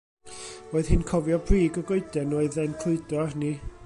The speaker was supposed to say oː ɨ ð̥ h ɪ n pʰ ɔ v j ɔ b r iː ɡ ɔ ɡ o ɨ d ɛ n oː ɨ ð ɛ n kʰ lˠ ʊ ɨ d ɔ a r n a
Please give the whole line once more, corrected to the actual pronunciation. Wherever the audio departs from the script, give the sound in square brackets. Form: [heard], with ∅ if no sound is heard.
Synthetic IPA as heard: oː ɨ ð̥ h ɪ n [kʰ] ɔ v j ɔ b r iː ɡ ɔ ɡ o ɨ d ɛ n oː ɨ ð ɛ n kʰ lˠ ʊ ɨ d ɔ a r n [i]